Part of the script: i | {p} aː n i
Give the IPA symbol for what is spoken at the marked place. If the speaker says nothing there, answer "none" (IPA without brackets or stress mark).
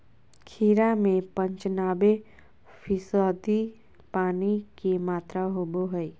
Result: p